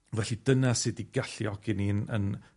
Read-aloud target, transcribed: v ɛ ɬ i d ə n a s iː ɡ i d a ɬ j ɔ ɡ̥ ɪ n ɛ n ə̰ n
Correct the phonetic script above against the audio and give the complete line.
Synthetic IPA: v ɛ ɬ i d ə n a s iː d i ɡ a ɬ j ɔ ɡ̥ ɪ n i n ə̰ n